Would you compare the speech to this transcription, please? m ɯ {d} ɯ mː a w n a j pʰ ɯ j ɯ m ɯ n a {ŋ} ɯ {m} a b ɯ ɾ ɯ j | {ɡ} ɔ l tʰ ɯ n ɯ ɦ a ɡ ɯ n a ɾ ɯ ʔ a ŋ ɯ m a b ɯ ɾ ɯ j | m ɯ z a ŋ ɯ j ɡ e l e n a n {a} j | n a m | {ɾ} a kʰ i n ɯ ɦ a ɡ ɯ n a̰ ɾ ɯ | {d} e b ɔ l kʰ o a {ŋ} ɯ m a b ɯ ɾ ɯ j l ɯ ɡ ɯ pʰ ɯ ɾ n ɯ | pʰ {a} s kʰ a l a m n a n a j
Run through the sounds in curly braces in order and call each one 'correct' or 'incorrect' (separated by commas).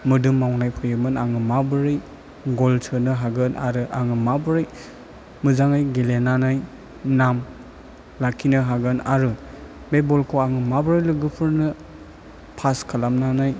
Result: correct, correct, correct, correct, correct, incorrect, incorrect, correct, correct